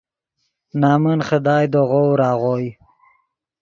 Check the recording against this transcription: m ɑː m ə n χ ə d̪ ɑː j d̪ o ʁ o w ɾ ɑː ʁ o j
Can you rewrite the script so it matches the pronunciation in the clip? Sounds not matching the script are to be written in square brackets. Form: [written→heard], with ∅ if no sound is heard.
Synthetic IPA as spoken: [m→n] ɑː m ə n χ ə d̪ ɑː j d̪ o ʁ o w ɾ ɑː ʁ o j